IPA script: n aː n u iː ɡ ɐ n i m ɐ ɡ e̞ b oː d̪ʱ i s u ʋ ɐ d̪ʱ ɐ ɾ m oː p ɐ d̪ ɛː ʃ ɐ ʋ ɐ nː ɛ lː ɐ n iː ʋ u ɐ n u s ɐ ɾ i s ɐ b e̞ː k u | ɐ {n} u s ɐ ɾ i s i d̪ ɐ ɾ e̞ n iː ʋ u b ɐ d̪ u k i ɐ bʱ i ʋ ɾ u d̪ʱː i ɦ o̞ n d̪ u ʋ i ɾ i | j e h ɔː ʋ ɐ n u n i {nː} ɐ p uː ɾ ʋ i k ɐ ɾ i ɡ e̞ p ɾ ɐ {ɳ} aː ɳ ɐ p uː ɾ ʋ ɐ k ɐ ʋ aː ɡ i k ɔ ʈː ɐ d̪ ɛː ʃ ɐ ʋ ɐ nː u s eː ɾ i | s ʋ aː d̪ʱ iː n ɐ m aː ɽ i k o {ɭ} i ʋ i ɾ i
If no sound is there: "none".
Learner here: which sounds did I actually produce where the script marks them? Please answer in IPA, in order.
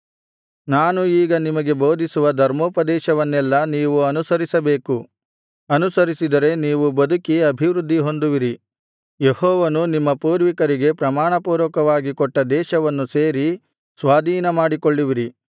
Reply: n, mː, m, ɭː

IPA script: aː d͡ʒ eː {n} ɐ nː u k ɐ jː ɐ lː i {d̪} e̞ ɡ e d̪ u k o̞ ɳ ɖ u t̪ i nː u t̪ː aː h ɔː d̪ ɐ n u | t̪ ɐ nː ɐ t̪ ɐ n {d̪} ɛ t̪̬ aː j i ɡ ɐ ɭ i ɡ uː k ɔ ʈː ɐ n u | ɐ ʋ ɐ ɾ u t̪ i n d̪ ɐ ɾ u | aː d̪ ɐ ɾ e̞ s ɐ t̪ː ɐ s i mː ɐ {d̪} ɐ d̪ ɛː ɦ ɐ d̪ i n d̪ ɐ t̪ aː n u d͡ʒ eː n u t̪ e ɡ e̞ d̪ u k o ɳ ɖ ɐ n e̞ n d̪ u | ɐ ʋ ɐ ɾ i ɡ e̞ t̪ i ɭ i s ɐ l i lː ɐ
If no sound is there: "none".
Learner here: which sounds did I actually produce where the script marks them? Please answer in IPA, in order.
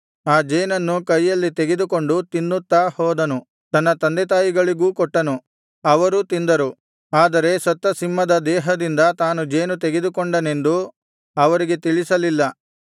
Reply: n, t̪, d̪, d̪

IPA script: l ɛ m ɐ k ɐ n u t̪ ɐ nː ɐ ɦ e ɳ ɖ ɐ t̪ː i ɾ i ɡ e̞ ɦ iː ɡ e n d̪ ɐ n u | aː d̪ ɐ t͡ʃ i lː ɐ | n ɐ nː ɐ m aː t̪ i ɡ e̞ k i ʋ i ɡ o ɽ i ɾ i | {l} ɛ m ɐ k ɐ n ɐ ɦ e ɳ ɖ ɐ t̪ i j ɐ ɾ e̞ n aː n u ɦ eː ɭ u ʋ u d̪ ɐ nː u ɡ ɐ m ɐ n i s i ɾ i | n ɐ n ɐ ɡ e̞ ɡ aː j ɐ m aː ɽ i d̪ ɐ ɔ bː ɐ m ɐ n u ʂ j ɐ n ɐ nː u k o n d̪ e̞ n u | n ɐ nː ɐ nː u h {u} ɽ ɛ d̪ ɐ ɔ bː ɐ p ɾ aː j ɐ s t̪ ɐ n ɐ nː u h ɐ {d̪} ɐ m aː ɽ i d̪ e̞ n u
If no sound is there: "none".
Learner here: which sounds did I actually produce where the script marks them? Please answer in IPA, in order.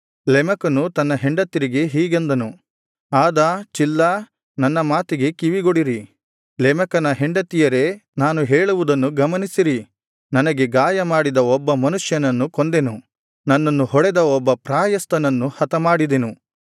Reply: l, ɔ, t̪

